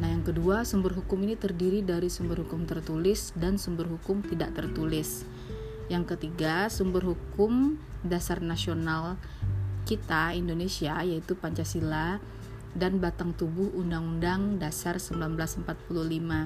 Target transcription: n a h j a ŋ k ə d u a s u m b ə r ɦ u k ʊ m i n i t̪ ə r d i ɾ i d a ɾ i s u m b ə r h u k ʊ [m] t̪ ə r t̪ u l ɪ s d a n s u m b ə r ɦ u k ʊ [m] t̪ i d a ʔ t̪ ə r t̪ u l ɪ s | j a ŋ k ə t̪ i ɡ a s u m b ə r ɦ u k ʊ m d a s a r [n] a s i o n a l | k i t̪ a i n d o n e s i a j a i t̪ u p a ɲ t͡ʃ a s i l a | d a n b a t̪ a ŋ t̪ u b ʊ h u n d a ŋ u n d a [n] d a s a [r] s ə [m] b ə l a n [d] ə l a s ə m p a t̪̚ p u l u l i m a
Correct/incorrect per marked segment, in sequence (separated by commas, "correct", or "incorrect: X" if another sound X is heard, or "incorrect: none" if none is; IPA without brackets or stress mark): correct, correct, correct, incorrect: ŋ, correct, correct, incorrect: b